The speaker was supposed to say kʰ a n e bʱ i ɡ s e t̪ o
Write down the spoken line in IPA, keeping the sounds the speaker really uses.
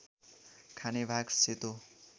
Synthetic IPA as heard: kʰ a n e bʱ a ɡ s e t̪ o